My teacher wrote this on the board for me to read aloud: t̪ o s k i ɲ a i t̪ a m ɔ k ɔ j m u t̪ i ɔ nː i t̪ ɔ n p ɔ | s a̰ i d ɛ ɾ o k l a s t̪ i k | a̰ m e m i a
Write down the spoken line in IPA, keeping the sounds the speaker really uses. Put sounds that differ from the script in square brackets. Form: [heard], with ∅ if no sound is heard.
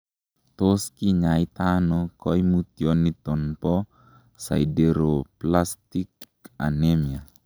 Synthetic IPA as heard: t̪ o s k i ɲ a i t̪ a [n] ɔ k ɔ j m u t̪ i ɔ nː i t̪ ɔ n p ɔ | s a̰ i d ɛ ɾ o [p] l a s t̪ i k | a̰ [n] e m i a